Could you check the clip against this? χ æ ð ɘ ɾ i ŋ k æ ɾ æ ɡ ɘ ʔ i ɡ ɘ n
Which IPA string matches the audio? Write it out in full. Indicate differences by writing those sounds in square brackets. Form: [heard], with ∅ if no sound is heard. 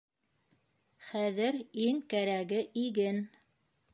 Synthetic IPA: χ æ ð ɘ ɾ i ŋ k æ ɾ æ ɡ ɘ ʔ i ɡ ɘ n